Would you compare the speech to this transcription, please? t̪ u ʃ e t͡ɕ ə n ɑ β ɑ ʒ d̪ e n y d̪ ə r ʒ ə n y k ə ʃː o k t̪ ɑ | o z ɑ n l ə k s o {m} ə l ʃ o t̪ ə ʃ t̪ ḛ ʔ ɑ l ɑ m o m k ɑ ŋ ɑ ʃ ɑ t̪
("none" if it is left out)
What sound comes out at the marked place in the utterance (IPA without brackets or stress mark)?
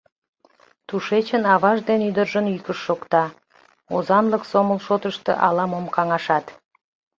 m